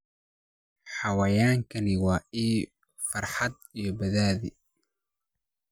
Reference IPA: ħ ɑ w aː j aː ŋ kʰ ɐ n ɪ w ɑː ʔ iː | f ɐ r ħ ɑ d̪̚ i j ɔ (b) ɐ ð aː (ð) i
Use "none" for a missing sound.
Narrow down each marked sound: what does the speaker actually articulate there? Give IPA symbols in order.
b, ð

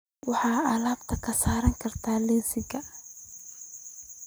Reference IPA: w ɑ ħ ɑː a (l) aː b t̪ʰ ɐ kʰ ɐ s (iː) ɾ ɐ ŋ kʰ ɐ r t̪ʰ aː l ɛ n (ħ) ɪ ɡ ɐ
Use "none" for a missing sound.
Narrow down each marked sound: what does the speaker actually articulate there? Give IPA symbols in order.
l, aː, s

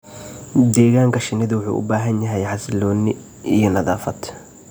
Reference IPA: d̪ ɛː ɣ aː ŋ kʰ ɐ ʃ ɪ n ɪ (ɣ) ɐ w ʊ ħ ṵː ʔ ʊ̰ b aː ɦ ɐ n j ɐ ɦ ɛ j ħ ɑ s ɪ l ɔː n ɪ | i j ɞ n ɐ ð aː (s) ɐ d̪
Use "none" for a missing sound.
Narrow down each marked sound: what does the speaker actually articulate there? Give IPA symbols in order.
ð, f

